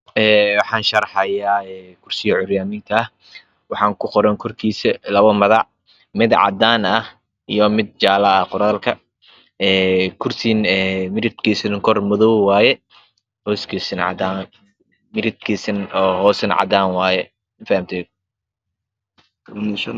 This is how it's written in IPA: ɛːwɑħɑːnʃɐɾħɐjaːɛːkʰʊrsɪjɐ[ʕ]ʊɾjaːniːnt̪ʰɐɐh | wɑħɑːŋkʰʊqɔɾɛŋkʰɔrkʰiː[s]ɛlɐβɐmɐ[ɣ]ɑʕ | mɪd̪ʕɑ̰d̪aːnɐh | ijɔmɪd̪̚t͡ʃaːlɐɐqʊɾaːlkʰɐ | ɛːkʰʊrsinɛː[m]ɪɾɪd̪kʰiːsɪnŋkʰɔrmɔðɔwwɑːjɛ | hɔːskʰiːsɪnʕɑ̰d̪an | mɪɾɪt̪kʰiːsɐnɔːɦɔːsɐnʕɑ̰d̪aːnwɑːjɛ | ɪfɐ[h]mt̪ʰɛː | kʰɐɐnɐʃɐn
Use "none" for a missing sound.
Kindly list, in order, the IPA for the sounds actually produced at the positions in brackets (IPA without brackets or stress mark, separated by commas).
ʕ, s, ð, m, h